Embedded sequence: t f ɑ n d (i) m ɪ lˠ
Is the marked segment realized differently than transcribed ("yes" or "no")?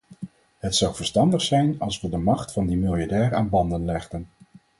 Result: no